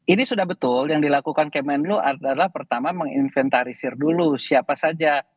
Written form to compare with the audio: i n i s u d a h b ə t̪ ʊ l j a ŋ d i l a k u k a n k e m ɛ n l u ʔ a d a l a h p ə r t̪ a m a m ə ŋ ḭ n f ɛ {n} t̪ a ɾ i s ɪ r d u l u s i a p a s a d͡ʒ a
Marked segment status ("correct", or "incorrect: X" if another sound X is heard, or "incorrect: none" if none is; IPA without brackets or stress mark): correct